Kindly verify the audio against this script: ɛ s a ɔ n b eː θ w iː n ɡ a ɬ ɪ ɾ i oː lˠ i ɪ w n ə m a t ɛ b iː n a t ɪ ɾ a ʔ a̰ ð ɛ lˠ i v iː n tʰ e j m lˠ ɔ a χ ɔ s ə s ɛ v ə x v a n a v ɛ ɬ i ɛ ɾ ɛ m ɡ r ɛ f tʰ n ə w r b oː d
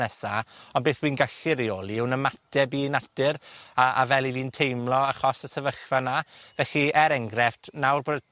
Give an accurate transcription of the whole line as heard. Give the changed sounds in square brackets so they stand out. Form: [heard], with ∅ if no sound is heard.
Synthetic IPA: ɛ s a ɔ n b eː θ w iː n ɡ a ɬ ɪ ɾ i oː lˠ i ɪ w n ə m a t ɛ b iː n a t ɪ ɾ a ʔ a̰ [v] ɛ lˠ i v iː n tʰ e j m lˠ ɔ a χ ɔ s ə s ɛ v ə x v a n a v ɛ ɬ i ɛ ɾ ɛ [ŋ] ɡ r ɛ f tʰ n [a] w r b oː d